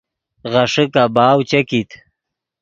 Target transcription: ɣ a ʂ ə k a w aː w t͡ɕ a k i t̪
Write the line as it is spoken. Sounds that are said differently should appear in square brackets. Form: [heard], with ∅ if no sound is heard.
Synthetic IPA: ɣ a ʂ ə k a [b] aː w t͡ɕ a k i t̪